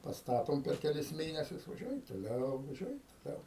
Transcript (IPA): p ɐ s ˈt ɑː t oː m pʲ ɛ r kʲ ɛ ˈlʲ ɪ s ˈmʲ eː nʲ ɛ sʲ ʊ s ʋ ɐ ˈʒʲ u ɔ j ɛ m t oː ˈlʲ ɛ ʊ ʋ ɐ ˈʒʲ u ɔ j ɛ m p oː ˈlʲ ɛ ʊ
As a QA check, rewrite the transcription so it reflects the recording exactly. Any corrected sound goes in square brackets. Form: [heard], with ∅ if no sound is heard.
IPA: p ɐ s ˈt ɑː t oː m pʲ ɛ r kʲ ɛ ˈlʲ ɪ s ˈmʲ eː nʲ ɛ sʲ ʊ s ʋ ɐ ˈʒʲ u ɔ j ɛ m t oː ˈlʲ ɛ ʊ ʋ ɐ ˈʒʲ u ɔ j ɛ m [t] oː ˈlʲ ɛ ʊ